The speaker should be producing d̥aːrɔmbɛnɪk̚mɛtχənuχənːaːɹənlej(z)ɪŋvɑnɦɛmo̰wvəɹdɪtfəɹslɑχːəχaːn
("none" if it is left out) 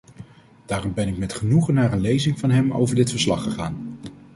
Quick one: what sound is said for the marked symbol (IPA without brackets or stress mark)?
z